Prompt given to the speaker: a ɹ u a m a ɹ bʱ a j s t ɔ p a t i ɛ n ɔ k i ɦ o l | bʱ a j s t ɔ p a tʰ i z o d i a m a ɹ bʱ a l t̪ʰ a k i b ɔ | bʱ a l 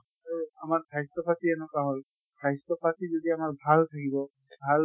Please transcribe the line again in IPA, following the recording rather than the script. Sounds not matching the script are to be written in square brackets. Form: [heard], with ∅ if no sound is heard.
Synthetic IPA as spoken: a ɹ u a m a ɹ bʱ a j s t ɔ p a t i ɛ n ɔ k [a] ɦ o l | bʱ a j s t ɔ p a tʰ i z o d i a m a ɹ bʱ a l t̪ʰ a k i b ɔ | bʱ a l